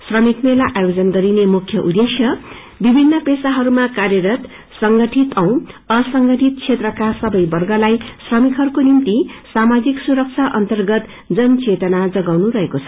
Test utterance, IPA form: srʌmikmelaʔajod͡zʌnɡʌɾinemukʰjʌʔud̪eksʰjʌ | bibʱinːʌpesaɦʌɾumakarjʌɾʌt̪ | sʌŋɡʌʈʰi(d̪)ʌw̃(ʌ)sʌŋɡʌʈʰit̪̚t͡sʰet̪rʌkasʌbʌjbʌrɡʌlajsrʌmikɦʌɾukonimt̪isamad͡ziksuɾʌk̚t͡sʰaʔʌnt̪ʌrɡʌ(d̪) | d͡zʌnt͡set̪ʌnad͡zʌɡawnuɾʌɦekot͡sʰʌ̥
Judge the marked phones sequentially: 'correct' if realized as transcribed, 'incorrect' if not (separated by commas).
incorrect, correct, incorrect